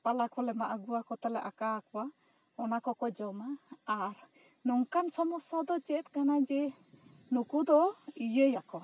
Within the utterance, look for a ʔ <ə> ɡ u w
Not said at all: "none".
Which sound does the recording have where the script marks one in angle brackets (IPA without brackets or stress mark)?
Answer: a